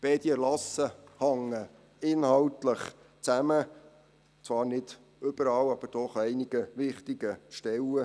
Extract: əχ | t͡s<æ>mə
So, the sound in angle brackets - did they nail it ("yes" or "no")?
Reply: yes